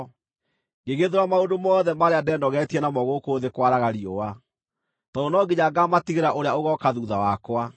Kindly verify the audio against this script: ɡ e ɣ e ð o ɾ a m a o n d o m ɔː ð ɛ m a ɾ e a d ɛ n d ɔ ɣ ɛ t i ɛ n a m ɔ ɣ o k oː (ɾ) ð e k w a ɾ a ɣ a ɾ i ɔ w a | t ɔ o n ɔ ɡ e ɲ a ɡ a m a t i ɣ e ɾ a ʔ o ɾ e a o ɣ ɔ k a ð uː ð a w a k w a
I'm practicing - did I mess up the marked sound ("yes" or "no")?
yes